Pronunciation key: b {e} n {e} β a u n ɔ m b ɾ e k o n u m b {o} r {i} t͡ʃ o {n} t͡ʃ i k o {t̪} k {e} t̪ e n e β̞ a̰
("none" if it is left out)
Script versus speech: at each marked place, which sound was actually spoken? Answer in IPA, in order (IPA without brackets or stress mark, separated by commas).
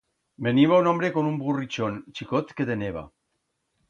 e, i, u, i, n, t̪, e